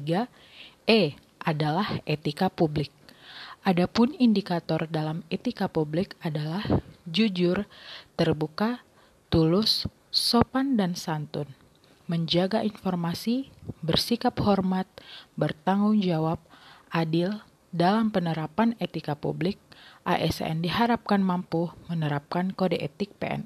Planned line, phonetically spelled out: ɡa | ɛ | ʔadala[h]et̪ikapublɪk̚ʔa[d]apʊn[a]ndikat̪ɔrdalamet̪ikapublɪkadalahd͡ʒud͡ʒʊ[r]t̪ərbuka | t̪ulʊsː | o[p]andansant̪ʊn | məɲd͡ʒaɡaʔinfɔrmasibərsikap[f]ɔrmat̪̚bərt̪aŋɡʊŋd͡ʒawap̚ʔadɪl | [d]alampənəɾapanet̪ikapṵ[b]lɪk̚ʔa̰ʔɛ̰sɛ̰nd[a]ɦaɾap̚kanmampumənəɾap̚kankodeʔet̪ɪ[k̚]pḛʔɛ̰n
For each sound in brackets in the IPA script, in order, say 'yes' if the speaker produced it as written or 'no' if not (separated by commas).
yes, yes, no, yes, yes, no, yes, yes, no, yes